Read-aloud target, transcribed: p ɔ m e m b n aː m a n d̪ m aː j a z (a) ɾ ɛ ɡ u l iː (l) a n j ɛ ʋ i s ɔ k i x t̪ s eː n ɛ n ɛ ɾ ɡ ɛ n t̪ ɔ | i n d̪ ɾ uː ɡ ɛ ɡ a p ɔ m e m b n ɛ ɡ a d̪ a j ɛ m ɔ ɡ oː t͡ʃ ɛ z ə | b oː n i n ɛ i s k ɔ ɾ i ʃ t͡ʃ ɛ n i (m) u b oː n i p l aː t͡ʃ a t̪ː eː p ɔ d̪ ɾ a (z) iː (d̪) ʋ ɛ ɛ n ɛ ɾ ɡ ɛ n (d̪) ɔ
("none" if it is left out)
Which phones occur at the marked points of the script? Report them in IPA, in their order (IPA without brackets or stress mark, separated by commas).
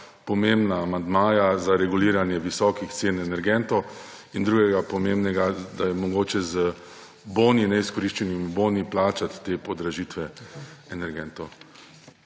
a, ɾ, m, ʒ, t̪, t̪